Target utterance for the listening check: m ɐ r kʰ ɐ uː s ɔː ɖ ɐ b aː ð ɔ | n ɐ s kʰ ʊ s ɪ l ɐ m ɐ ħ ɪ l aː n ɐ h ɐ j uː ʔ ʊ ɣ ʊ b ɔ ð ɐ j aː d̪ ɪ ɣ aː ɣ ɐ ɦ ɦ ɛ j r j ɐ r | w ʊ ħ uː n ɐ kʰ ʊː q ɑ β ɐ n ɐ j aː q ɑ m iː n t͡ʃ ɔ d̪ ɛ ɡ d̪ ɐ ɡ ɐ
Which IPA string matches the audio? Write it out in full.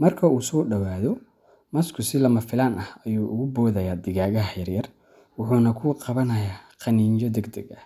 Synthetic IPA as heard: m ɐ r kʰ ɐ uː s ɔː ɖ ɐ w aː ð ɔ | m ɐ s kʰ ʊ s ɪ l ɐ m ɐ f ɪ l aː n ɐ h ɐ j uː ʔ ʊ ɣ ʊ b ɔː ð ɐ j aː d̪ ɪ ɣ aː ɣ ɐ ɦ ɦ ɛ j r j ɐ r | w ʊ ħ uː n ɐ kʰ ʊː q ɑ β ɐ n ɐ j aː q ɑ n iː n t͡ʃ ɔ d̪ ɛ ɡ d̪ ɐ ɡ ɐ